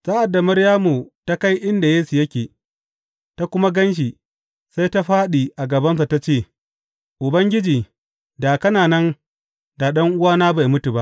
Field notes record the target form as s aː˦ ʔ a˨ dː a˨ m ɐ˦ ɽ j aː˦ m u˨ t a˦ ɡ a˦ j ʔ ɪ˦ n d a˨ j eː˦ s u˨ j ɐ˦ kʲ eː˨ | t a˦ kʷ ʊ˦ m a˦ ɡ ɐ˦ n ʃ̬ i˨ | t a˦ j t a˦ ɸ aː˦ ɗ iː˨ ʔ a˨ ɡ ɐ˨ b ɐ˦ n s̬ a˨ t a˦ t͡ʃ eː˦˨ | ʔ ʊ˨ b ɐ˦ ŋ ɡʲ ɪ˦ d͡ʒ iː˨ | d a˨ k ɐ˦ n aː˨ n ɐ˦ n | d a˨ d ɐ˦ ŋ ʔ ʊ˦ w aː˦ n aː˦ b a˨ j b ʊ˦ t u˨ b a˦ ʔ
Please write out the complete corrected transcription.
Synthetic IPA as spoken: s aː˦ ʔ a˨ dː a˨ m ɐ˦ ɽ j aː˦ m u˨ t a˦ k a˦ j ʔ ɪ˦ n d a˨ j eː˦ s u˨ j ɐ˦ kʲ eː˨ | t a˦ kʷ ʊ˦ m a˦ ɡ ɐ˦ n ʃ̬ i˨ | s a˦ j t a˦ ɸ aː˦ ɗ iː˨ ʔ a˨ ɡ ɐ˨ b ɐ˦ n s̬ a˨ t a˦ t͡ʃ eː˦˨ | ʔ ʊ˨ b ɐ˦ ŋ ɡʲ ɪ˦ d͡ʒ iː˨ | d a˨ k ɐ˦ n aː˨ n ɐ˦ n | d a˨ ɗ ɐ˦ ŋ ʔ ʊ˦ w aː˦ n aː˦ b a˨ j m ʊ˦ t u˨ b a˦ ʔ

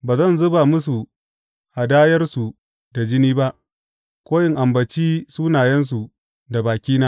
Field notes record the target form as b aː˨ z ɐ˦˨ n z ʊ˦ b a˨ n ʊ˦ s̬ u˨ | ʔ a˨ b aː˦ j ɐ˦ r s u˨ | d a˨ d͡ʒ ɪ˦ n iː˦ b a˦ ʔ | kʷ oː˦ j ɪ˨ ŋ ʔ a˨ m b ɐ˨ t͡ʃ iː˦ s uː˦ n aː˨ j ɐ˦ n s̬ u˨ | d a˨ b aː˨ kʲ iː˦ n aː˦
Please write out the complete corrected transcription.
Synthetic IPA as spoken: b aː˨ z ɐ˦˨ n z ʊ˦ b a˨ m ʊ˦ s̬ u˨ | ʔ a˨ d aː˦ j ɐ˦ r s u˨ | d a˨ d͡ʒ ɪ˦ n iː˦ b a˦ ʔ | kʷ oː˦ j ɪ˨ ŋ ʔ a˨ m b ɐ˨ t͡ʃ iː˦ s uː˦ n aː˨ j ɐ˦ n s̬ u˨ | d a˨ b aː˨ kʲ iː˦ n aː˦

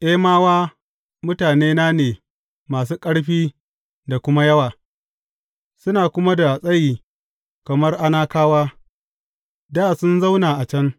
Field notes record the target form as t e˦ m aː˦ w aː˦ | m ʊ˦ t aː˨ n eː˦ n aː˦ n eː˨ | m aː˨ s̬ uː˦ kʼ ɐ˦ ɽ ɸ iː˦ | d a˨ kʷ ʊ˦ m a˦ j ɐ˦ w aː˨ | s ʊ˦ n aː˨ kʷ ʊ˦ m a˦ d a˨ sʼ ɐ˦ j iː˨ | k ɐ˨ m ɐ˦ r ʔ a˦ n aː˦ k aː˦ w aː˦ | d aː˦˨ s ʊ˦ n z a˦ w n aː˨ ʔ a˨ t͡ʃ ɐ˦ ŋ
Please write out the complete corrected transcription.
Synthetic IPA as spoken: ʔ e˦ m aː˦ w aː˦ | m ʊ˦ t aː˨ n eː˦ n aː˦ n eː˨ | m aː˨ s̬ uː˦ kʼ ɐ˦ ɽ ɸ iː˦ | d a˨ kʷ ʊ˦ m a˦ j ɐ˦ w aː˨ | s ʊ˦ n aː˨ kʷ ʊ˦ m a˦ d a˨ sʼ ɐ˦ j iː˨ | k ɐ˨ m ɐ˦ r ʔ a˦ n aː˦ k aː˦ w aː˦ | d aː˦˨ s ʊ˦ n z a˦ w n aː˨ ʔ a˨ t͡ʃ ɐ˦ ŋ

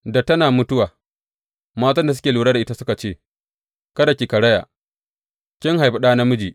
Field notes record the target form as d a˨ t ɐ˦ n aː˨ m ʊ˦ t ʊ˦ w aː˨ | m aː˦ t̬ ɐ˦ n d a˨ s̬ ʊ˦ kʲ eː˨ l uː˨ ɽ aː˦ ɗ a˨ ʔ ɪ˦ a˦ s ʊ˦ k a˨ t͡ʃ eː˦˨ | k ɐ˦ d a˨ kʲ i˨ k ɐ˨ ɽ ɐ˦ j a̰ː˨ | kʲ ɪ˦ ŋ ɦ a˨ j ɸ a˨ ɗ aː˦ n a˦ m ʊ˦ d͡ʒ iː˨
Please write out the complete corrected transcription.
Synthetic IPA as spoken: d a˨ t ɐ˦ n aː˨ m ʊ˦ t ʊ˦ w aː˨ | m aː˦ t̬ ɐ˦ n d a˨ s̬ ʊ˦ kʲ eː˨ l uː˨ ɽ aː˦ d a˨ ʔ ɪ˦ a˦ s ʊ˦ k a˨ t͡ʃ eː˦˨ | k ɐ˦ d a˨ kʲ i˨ k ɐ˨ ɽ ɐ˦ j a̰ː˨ | kʲ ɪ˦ ŋ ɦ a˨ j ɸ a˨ ɗ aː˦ n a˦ m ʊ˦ d͡ʒ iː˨

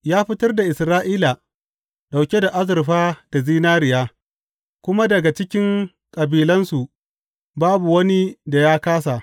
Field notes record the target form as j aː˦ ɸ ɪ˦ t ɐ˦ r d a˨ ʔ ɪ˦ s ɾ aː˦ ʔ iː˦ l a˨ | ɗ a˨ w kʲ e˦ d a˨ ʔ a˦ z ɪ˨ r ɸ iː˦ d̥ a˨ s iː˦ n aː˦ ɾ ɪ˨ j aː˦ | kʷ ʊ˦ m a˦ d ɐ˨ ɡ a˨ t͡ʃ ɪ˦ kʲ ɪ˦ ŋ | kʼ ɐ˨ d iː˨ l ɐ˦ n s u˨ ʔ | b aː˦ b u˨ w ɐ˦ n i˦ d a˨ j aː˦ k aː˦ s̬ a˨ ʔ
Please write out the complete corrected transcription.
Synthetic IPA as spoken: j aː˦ ɸ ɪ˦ t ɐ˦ r d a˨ ʔ ɪ˨ s ɾ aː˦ ʔ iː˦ l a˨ | ɗ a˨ w kʲ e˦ d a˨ ʔ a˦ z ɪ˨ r ɸ aː˦ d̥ a˨ z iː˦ n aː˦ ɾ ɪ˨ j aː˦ | kʷ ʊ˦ m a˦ d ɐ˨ ɡ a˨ t͡ʃ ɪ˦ kʲ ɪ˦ ŋ | kʼ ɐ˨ b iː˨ l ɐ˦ n s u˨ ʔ | b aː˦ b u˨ w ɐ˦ n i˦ d a˨ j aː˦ k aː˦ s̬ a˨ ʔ

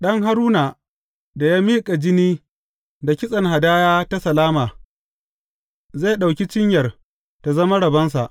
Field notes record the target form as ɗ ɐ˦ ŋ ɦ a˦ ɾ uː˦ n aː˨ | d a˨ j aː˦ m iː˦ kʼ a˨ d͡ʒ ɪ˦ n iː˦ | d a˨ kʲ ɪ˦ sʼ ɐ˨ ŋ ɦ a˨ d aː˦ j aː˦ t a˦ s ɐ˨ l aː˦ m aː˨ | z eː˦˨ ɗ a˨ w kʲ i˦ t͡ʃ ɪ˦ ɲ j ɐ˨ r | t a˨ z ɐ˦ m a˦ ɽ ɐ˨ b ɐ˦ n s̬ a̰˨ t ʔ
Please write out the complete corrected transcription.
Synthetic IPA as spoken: ɗ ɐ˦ ŋ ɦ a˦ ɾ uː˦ n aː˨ | d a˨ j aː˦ m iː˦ kʼ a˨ d͡ʒ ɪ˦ n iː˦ | d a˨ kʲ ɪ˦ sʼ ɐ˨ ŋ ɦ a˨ d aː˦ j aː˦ t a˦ s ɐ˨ l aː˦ m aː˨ | z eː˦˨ ɗ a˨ w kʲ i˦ t͡ʃ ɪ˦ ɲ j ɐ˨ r | t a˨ z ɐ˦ m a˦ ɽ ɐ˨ b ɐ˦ n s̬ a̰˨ ʔ

